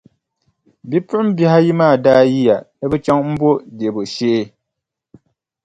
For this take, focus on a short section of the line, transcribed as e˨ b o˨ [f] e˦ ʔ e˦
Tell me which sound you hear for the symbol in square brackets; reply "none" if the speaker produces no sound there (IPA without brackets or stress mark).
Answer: ʃ